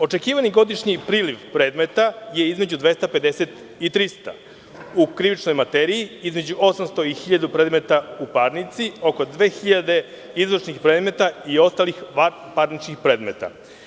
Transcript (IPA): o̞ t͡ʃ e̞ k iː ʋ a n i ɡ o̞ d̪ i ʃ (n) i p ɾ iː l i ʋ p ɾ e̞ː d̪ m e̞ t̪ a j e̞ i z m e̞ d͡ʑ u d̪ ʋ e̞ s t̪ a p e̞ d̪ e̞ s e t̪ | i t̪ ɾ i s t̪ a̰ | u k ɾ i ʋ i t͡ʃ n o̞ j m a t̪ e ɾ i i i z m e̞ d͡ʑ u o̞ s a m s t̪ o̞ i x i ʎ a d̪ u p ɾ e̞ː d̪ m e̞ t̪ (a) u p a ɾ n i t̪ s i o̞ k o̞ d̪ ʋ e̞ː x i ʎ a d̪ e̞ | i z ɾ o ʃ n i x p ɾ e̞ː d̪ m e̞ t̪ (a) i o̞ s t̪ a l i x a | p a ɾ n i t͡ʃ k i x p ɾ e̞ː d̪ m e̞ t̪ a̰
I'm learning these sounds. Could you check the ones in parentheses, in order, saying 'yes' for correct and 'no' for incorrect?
no, yes, yes

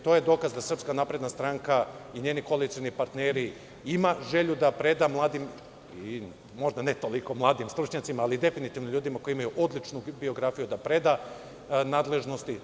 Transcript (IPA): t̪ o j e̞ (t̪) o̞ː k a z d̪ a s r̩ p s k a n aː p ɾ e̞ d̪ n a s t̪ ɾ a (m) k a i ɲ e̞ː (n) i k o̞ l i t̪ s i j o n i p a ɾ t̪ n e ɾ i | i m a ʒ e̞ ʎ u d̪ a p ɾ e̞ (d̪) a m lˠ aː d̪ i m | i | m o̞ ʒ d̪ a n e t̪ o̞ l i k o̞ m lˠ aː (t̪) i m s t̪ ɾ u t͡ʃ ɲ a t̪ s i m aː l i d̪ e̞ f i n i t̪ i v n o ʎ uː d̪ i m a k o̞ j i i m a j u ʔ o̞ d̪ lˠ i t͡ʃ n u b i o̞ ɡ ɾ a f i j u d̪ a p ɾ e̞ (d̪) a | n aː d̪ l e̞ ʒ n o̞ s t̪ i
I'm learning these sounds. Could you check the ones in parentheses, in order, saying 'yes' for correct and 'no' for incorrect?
no, no, yes, yes, no, yes

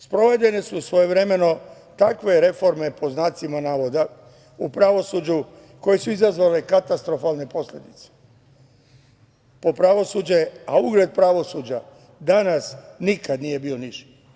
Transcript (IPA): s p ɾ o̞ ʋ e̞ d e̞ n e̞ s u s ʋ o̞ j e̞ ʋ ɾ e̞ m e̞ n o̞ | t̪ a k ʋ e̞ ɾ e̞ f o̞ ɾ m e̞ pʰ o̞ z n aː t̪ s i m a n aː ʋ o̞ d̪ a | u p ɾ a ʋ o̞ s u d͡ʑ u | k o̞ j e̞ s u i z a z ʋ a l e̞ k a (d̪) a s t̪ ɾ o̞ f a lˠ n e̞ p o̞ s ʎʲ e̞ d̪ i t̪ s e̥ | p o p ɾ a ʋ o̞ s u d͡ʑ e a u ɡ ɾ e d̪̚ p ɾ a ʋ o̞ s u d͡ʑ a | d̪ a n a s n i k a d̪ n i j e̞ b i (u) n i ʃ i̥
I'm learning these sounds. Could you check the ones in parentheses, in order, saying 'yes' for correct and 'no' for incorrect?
no, no

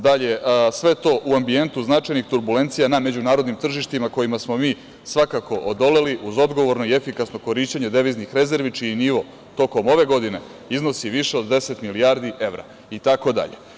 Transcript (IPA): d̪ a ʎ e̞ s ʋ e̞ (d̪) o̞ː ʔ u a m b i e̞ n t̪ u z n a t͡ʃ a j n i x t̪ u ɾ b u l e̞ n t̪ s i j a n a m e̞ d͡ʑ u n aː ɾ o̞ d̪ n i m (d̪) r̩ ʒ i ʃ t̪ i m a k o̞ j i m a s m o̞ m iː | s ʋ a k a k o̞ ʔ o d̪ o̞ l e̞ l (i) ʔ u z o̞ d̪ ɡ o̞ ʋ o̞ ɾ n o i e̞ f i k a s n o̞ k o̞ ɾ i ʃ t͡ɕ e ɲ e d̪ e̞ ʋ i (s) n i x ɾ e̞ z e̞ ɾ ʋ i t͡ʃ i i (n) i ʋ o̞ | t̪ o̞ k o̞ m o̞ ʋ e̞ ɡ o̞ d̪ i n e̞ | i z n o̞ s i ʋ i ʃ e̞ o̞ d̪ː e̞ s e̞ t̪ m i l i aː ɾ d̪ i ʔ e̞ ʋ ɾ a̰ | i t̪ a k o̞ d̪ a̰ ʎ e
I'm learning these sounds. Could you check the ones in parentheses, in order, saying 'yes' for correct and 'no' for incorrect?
no, no, yes, no, yes

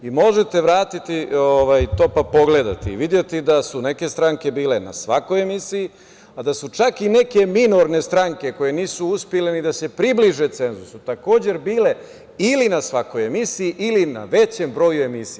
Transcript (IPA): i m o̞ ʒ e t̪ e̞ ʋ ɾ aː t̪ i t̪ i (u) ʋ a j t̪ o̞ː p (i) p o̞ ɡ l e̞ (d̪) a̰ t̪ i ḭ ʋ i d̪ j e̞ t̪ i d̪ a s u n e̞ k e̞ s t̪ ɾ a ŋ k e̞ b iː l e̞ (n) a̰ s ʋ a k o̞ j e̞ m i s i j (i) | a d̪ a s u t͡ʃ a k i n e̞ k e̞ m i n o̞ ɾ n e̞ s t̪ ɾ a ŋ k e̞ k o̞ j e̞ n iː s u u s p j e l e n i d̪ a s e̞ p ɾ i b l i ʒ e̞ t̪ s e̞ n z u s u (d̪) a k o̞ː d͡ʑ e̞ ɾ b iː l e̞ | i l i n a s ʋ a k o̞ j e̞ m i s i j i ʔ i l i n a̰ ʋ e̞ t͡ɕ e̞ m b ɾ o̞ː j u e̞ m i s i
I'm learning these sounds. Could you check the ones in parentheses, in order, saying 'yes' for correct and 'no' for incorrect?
no, no, yes, yes, yes, no

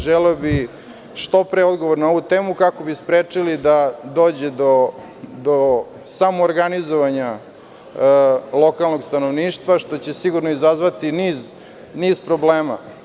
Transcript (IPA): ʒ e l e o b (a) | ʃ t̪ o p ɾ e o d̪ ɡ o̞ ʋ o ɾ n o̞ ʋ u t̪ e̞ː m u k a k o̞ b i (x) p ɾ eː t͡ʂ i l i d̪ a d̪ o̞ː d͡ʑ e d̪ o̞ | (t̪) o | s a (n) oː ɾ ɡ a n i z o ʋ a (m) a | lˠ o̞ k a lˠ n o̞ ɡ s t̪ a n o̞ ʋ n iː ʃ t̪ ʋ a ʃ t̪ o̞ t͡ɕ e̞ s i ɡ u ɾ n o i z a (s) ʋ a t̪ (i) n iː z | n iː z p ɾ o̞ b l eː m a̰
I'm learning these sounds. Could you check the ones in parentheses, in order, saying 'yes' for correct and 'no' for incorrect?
no, no, no, no, no, no, yes

